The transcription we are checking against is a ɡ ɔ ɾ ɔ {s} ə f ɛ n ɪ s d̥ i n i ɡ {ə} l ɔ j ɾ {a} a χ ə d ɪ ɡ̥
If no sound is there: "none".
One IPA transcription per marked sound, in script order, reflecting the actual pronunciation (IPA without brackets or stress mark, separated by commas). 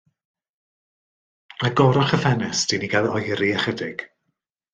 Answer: χ, a, i